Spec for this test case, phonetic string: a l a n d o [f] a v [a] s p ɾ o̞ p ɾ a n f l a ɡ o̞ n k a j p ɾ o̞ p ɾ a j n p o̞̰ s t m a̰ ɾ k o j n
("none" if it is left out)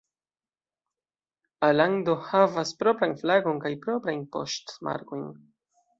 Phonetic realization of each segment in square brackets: h, a

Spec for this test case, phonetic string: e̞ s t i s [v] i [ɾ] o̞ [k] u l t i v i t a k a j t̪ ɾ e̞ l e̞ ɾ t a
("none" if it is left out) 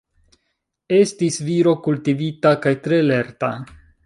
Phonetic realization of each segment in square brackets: v, ɾ, k

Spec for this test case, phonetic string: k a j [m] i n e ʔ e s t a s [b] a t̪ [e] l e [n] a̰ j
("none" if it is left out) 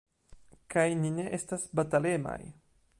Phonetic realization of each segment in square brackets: n, b, a, m

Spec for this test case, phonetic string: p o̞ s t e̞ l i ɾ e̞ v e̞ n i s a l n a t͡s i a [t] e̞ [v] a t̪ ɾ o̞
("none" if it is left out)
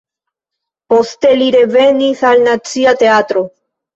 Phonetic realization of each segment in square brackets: t, none

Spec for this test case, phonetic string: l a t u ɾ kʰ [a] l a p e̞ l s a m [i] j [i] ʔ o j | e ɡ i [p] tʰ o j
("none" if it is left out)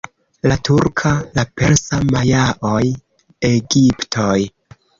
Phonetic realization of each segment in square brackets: a, a, a, p

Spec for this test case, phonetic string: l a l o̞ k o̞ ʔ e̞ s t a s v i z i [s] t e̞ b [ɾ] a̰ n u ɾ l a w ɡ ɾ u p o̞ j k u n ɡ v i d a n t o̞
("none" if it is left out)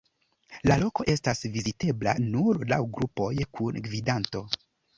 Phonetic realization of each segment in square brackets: none, l

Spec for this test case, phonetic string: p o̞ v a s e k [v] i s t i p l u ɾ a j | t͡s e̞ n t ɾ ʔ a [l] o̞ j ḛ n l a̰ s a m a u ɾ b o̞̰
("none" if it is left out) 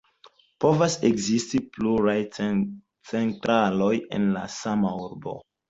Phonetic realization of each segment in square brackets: z, l

